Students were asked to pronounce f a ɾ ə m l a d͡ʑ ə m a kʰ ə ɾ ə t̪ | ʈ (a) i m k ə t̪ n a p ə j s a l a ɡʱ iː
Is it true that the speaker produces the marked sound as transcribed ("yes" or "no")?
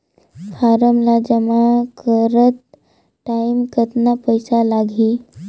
yes